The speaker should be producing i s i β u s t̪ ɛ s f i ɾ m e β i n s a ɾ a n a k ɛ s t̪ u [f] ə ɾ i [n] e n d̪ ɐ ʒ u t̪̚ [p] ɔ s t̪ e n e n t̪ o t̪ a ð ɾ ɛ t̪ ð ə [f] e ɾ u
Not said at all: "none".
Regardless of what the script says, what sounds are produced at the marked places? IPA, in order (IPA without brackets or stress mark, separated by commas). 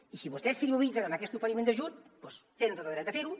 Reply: f, m, p, f